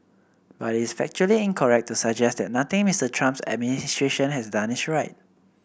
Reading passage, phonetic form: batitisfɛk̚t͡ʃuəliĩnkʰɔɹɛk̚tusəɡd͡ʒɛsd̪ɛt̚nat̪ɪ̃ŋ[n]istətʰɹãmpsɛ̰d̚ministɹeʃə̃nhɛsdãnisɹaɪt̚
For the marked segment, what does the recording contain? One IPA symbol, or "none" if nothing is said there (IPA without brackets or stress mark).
m